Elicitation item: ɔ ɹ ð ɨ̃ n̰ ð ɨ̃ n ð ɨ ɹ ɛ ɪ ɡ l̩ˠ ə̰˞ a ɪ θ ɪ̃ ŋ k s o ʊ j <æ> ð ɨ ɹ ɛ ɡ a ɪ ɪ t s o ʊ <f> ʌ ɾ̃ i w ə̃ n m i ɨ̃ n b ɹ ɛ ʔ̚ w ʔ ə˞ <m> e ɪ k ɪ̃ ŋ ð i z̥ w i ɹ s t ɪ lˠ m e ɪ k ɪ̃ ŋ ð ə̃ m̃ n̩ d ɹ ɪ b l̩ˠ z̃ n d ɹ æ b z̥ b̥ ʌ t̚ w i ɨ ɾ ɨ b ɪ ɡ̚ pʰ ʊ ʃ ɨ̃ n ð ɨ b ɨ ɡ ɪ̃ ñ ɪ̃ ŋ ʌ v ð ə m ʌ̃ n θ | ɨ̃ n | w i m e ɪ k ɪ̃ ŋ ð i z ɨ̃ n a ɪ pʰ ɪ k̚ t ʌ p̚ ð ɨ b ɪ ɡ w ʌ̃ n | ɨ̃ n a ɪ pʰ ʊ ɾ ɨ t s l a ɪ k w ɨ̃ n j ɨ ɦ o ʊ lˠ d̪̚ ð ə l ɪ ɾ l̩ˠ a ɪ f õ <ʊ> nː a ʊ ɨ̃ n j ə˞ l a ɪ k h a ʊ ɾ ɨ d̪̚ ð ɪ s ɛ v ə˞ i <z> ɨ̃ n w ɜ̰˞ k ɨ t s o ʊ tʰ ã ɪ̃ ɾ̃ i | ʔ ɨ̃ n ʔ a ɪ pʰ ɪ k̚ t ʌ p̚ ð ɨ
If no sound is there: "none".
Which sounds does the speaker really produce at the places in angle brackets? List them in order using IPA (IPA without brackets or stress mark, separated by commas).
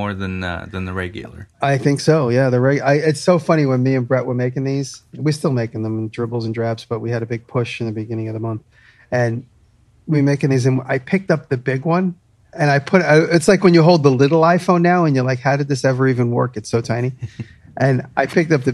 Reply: æ, f, m, ʊ̃, v